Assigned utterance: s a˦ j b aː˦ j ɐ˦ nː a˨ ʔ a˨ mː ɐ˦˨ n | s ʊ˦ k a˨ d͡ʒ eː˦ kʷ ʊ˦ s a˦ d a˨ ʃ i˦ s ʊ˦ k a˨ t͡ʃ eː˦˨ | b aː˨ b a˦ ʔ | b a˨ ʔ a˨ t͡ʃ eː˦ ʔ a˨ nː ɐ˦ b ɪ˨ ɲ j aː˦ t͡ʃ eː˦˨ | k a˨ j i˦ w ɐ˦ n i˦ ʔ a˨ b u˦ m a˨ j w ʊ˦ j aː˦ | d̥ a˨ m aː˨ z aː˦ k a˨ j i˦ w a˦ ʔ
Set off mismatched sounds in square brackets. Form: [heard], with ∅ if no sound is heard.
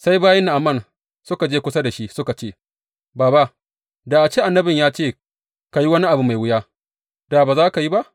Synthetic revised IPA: s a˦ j b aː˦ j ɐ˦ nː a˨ ʔ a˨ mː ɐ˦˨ n | s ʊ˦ k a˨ d͡ʒ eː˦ kʷ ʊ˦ s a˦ d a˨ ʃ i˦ s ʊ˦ k a˨ t͡ʃ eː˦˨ | b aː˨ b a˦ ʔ | [d] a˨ ʔ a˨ t͡ʃ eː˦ ʔ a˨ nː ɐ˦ b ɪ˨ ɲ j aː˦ t͡ʃ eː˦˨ | k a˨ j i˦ w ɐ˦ n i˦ ʔ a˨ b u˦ m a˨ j w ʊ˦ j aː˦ | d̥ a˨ [b] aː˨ z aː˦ k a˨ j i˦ [b] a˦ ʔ